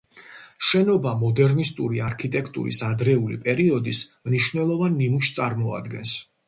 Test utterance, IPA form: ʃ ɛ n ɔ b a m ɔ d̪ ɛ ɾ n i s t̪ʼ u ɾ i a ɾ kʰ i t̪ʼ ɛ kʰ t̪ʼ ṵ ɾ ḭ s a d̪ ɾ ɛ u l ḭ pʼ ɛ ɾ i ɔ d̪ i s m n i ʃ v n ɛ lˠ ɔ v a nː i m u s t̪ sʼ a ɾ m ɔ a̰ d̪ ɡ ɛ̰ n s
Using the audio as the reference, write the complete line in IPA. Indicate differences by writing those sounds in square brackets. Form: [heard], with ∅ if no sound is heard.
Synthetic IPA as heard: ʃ ɛ n ɔ b a m ɔ d̪ ɛ ɾ n i s t̪ʼ u ɾ i a ɾ kʰ i t̪ʼ ɛ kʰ t̪ʼ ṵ ɾ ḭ s a d̪ ɾ ɛ u l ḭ pʼ ɛ ɾ i ɔ d̪ i s m n i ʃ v n ɛ lˠ ɔ v a nː i m u [ʃ] t̪ sʼ a ɾ m ɔ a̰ d̪ ɡ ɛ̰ n s

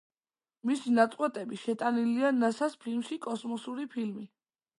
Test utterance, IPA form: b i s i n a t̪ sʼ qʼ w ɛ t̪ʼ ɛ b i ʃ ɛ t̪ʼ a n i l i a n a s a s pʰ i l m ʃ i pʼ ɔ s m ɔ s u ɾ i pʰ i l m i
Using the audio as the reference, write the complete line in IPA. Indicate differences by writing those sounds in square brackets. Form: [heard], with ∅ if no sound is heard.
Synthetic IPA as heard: [m] i s i n a t̪ sʼ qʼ w ɛ t̪ʼ ɛ b i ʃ ɛ t̪ʼ a n i l i a n a s a s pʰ i l m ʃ i [kʼ] ɔ s m ɔ s u ɾ i pʰ i l m i

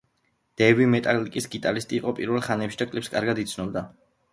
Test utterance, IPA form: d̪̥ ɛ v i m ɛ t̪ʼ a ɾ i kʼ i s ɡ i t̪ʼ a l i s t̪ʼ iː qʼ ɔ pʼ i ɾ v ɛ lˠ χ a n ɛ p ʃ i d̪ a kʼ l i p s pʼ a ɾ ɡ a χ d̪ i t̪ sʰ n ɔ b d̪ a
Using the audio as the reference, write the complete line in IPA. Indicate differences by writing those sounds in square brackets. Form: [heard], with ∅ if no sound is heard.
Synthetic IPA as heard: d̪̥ ɛ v i m ɛ t̪ʼ a [l] i kʼ i s ɡ i t̪ʼ a l i s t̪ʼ iː qʼ ɔ pʼ i ɾ v ɛ lˠ χ a n ɛ p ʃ i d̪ a kʼ l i p s [kʼ] a ɾ ɡ a [∅] d̪ i t̪ sʰ n ɔ b d̪ a

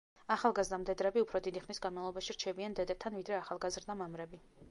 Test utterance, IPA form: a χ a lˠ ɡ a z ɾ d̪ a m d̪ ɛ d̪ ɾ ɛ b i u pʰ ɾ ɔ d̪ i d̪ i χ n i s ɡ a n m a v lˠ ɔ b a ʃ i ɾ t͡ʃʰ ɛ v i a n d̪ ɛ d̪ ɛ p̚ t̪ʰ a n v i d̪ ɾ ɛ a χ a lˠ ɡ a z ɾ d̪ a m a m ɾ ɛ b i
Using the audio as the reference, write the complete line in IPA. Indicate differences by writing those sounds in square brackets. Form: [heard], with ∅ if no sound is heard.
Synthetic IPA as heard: a χ a lˠ ɡ a z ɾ d̪ a m d̪ ɛ d̪ ɾ ɛ b i u pʰ ɾ ɔ d̪ i d̪ i χ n i s ɡ a n m a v lˠ ɔ b a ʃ i ɾ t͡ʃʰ ɛ [b] i a n d̪ ɛ d̪ ɛ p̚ t̪ʰ a n v i d̪ ɾ ɛ a χ a lˠ ɡ a z ɾ d̪ a m a m ɾ ɛ b i

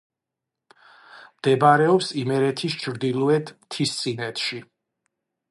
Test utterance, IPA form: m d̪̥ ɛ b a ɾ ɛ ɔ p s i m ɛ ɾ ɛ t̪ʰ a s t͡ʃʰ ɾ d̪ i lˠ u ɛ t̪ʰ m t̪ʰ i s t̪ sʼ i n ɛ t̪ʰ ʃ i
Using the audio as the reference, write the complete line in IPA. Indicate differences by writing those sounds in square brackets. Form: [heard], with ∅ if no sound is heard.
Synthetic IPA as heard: m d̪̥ ɛ b a ɾ ɛ ɔ p s i m ɛ ɾ ɛ t̪ʰ [i] s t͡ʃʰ ɾ d̪ i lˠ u ɛ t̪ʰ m t̪ʰ i s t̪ sʼ i n ɛ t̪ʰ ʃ i

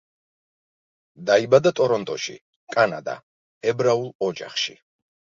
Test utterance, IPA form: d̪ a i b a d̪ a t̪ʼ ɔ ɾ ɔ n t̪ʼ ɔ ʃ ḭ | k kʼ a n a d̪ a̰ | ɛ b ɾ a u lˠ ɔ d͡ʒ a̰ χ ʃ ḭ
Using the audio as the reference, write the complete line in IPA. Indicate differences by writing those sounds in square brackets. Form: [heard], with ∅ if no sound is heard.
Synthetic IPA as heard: d̪ a i b a d̪ a t̪ʼ ɔ ɾ ɔ n t̪ʼ ɔ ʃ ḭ | k kʼ a n a d̪ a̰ | ɛ b ɾ a u lˠ ɔ d͡ʒ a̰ χ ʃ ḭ

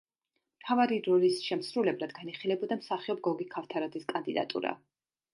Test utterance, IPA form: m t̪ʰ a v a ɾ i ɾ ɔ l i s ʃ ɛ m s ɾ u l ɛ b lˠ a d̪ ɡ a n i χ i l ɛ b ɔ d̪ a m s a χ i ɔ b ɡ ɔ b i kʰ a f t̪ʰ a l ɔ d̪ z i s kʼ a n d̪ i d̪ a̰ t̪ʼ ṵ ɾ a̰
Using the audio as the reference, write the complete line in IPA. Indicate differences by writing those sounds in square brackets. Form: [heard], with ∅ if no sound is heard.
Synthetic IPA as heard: m t̪ʰ a v a ɾ i ɾ ɔ l i s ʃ ɛ m s ɾ u l ɛ b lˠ a d̪ ɡ a n i χ i l ɛ b ɔ d̪ a m s a χ i ɔ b ɡ ɔ [ɡ] i kʰ a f t̪ʰ a [ɾ] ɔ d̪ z i s kʼ a n d̪ i d̪ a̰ t̪ʼ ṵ ɾ a̰

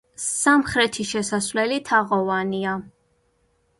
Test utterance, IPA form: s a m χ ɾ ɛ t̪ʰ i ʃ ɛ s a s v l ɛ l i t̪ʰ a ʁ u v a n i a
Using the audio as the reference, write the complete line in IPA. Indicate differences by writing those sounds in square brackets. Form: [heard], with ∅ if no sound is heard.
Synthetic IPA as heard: s a m χ ɾ ɛ t̪ʰ i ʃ ɛ s a s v l ɛ l i t̪ʰ a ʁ [ɔ] v a n i a

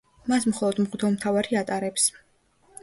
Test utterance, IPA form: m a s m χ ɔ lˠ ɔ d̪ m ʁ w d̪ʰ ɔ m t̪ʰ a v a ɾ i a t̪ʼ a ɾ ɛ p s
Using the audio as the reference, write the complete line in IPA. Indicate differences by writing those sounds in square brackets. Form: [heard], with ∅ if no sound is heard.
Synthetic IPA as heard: m a s m χ ɔ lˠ ɔ d̪ m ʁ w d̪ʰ ɔ m t̪ʰ a v a ɾ i a t̪ʼ a ɾ ɛ p s

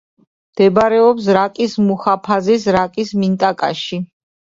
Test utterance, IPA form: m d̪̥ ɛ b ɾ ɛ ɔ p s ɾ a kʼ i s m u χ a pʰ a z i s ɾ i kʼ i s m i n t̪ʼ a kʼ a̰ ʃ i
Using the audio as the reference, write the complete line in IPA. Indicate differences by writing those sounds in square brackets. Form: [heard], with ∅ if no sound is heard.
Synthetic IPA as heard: m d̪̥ ɛ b ɾ ɛ ɔ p s ɾ a kʼ i s m u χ a pʰ a z i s ɾ [a] kʼ i s m i n t̪ʼ a kʼ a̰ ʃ i

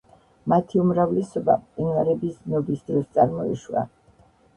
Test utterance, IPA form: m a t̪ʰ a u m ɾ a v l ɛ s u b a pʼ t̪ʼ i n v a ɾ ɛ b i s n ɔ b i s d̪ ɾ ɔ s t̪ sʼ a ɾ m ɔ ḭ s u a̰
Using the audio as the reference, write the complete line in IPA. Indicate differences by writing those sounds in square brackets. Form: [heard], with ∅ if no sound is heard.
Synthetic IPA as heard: m a t̪ʰ [i] u m ɾ a v l ɛ s [ɔ] b a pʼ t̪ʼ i n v a ɾ ɛ b i s n ɔ b i s d̪ ɾ ɔ s t̪ sʼ a ɾ m ɔ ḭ [ʃ] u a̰

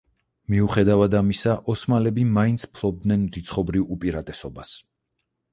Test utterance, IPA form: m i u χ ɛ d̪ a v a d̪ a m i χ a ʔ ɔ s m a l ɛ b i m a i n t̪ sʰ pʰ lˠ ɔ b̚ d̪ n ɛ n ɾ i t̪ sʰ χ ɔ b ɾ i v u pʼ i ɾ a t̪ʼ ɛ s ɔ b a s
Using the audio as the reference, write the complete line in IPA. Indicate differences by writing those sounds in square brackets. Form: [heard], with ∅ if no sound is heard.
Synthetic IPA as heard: m i u χ ɛ d̪ a v a d̪ a m i [s] a ʔ ɔ s m a l ɛ b i m a i n t̪ sʰ pʰ lˠ ɔ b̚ d̪ n ɛ n ɾ i t̪ sʰ χ ɔ b ɾ i v u pʼ i ɾ a t̪ʼ ɛ s ɔ b a s

